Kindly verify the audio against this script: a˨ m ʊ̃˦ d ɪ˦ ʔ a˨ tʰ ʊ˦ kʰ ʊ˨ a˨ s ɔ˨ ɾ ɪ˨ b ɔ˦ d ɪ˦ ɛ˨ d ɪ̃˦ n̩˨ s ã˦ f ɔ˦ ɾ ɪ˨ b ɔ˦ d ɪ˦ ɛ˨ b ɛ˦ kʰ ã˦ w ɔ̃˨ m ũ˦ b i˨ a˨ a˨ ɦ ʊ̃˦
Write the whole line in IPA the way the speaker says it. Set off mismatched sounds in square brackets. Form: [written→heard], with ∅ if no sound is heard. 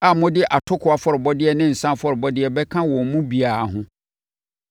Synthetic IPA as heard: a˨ m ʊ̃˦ d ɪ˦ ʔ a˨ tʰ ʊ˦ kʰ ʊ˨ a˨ [s→f] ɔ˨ ɾ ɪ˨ b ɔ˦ d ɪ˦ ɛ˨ [d→n] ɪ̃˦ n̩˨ s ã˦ f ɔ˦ ɾ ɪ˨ b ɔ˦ d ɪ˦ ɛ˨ b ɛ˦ kʰ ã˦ w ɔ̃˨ m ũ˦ b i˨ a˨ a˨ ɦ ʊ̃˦